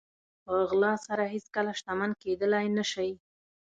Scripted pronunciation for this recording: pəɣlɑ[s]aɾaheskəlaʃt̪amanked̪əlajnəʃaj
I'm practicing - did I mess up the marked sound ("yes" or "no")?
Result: no